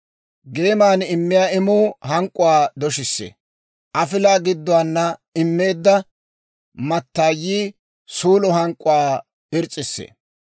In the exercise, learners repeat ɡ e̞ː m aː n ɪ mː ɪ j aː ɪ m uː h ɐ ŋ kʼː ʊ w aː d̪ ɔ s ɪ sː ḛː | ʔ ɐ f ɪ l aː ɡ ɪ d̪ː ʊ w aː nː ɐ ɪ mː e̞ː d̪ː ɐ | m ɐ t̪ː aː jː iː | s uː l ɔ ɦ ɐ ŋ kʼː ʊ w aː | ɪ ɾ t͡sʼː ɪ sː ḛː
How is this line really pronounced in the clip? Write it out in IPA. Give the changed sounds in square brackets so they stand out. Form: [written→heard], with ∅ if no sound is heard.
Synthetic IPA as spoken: ɡ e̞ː m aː n ɪ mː ɪ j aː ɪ m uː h ɐ ŋ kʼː ʊ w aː d̪ ɔ [s→ʃ] ɪ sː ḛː | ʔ ɐ f ɪ l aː ɡ ɪ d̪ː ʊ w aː nː ɐ ɪ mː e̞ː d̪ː ɐ | m ɐ t̪ː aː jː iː | s uː l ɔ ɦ ɐ ŋ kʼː ʊ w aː | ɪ ɾ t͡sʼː ɪ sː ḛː